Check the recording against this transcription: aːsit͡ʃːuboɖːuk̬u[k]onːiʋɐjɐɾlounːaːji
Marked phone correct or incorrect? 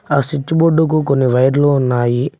correct